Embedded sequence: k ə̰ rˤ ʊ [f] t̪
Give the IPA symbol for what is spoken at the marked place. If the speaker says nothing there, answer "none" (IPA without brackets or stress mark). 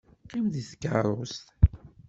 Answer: s